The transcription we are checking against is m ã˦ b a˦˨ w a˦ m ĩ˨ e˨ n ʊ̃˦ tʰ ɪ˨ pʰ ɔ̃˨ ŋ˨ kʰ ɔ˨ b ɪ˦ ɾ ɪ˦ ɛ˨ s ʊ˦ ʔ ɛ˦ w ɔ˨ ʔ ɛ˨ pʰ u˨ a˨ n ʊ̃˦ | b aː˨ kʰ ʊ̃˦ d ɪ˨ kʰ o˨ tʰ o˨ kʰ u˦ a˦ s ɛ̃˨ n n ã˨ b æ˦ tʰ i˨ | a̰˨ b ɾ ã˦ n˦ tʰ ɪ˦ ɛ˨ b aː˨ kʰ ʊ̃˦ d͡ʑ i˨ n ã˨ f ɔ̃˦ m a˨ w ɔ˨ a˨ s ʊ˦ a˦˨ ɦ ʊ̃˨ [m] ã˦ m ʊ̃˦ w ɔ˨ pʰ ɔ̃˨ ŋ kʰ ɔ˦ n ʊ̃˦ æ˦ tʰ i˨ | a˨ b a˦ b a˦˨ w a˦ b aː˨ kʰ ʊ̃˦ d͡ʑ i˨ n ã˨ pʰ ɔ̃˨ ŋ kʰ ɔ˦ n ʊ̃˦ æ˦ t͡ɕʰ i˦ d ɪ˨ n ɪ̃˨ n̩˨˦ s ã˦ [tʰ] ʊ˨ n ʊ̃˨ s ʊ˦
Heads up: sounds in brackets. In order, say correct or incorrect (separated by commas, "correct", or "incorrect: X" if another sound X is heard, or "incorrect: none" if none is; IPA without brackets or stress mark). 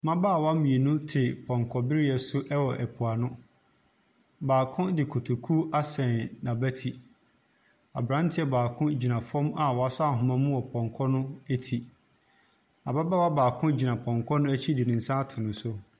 correct, correct